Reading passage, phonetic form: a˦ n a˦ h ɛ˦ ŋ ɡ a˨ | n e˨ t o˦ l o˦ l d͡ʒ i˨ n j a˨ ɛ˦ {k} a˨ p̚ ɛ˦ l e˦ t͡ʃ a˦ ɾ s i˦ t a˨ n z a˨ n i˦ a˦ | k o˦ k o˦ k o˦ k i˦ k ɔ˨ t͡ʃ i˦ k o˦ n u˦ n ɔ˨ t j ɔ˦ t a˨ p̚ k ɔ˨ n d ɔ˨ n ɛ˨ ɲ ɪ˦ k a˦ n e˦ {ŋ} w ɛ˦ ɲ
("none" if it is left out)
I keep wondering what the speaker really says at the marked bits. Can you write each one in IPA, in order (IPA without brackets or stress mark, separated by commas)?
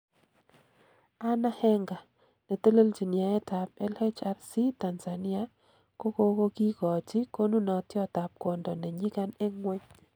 t, ŋ